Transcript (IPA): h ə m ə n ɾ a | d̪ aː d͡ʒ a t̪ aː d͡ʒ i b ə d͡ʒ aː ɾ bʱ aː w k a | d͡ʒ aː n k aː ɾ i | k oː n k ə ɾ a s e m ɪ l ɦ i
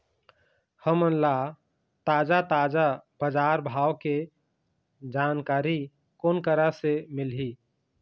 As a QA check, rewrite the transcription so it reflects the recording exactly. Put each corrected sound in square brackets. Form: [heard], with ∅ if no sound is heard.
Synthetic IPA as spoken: h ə m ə n [l] a | [t̪] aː d͡ʒ a t̪ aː d͡ʒ [a] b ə d͡ʒ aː ɾ bʱ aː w k [e] | d͡ʒ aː n k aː ɾ i | k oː n k ə ɾ a s e m ɪ l ɦ i

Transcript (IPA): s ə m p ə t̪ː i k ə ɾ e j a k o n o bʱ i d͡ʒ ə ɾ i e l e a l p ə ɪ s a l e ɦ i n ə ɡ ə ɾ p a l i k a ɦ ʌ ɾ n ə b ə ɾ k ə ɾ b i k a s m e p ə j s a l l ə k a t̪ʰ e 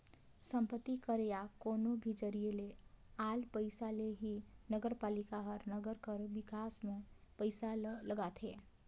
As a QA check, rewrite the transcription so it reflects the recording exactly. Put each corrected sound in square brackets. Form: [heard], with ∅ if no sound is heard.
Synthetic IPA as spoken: s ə m p ə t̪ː i k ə ɾ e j a k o n o bʱ i d͡ʒ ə ɾ i e l e a l p ə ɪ s a l e ɦ i n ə ɡ ə ɾ p a l i k a ɦ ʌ ɾ n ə [ɡ] ə ɾ k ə ɾ b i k a s m e p ə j s a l l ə [ɡ] a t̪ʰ e

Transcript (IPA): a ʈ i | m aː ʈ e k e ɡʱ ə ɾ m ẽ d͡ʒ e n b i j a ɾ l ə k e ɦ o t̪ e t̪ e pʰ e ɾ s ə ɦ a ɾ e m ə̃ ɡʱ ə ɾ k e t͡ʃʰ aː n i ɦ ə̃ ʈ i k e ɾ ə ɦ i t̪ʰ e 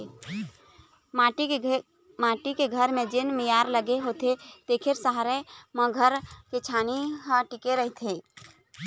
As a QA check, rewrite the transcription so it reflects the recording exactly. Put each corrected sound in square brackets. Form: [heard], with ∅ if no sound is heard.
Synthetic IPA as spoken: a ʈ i | m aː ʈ [i] k e ɡʱ ə ɾ m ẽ d͡ʒ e n [m] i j a ɾ l ə [ɡ] e ɦ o t̪ e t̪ e [kʰ] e ɾ s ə ɦ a ɾ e m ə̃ ɡʱ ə ɾ k e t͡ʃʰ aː n i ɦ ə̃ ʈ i k e ɾ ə ɦ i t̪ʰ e

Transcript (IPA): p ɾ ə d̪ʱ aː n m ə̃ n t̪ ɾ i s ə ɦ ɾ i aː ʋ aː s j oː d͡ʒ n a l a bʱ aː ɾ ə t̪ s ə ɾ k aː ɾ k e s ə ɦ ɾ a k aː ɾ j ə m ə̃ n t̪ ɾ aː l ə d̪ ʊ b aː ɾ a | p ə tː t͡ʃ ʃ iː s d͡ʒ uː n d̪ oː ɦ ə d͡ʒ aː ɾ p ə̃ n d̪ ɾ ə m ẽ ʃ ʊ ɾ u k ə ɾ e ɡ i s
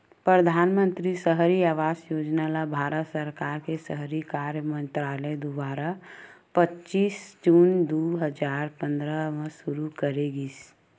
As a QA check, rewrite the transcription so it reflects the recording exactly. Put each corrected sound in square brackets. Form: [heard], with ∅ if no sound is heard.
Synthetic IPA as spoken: p ɾ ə d̪ʱ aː n m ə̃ n t̪ ɾ i s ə ɦ ɾ i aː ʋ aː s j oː d͡ʒ n a l a bʱ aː ɾ ə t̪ s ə ɾ k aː ɾ k e s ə ɦ ɾ [i] k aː ɾ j ə m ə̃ n t̪ ɾ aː l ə d̪ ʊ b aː ɾ a | p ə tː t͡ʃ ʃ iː s d͡ʒ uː n d̪ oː ɦ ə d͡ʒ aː ɾ p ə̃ n d̪ ɾ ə m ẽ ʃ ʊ ɾ u k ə ɾ e ɡ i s

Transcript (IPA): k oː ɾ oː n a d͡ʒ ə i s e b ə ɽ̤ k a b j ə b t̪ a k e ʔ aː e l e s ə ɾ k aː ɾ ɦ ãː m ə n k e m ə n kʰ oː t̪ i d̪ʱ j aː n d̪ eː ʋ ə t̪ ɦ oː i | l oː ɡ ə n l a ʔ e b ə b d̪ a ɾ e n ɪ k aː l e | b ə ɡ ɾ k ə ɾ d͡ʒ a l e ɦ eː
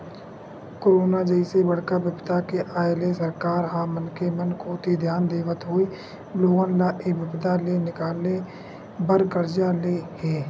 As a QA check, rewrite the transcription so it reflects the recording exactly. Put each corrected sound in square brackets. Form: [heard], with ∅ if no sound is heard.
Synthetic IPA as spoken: k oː ɾ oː n a d͡ʒ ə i s e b ə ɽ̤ k a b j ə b t̪ a k e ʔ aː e l e s ə ɾ k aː ɾ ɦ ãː m ə n k e m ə n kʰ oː t̪ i d̪ʱ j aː n d̪ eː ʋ ə t̪ ɦ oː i | l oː ɡ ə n l a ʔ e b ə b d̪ a [l] e n ɪ k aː l e | b ə [∅] ɾ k ə ɾ d͡ʒ a l e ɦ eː

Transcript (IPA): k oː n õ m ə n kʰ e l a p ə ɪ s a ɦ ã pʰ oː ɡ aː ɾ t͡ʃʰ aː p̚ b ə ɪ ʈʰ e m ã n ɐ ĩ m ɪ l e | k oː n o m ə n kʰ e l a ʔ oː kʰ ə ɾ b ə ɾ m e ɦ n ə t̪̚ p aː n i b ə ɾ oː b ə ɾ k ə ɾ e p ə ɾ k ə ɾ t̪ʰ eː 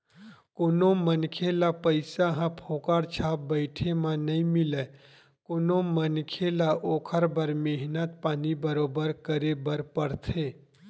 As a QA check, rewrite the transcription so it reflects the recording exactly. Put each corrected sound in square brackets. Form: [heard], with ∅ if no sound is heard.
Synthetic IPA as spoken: k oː n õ m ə n kʰ e l a p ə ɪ s a ɦ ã pʰ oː [k] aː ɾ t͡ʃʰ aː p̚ b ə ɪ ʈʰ e m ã n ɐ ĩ m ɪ l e | k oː n o m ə n kʰ e l a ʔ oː kʰ ə ɾ b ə ɾ m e ɦ n ə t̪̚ p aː n i b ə ɾ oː b ə ɾ k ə ɾ e [b] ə ɾ [p] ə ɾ t̪ʰ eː

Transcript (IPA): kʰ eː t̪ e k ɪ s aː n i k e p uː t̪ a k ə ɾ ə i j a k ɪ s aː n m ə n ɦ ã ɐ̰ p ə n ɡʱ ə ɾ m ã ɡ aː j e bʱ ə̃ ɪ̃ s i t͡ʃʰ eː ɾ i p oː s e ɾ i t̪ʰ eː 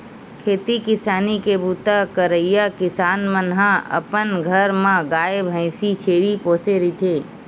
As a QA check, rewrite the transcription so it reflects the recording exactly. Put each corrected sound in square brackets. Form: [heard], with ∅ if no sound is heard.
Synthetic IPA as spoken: kʰ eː t̪ [i] k ɪ s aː n i k e [b] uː t̪ a k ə ɾ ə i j a k ɪ s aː n m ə n ɦ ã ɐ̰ p ə n ɡʱ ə ɾ m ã ɡ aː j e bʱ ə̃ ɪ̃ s i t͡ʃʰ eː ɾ i p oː s e ɾ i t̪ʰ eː

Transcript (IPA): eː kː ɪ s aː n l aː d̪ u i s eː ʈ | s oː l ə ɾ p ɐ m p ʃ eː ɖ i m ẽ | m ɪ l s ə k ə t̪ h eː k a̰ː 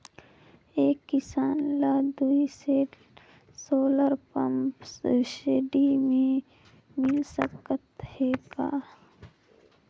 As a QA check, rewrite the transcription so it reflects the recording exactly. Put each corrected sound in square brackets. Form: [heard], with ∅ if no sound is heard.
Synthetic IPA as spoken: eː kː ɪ s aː n l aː d̪ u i s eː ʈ | s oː l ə ɾ p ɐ m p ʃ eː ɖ i m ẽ | m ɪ l s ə k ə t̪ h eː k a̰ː

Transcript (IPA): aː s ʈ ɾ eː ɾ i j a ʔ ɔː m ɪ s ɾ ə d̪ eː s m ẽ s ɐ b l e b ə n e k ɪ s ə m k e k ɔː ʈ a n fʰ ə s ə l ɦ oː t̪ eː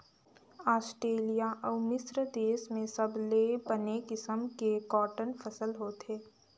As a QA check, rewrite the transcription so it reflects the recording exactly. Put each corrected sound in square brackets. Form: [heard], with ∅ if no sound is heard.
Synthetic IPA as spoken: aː s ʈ ɾ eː [l] i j a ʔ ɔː m ɪ s ɾ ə d̪ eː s m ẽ s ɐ b l e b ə n e k ɪ s ə m k e k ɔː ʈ [ə] n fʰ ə s ə l ɦ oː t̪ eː

